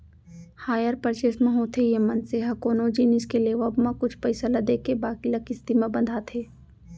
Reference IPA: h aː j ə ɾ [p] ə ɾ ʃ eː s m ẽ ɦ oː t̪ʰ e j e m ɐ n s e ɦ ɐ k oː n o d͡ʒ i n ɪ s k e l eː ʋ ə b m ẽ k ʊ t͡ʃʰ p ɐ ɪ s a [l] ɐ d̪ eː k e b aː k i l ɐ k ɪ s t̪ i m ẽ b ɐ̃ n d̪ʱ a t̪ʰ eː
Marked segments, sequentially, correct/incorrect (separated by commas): correct, correct